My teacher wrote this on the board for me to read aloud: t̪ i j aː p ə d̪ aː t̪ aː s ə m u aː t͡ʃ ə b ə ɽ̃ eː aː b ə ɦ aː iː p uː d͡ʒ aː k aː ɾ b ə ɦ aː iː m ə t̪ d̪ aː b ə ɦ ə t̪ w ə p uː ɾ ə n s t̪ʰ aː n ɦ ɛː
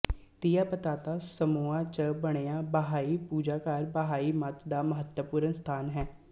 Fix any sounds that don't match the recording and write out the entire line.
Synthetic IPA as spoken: t̪ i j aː p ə t̪ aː t̪ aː s ə m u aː t͡ʃ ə b ə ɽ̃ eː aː b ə ɦ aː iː p uː d͡ʒ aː k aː ɾ b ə ɦ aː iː m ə t̪ d̪ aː m ə ɦ ə t̪ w ə p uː ɾ ə n s t̪ʰ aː n ɦ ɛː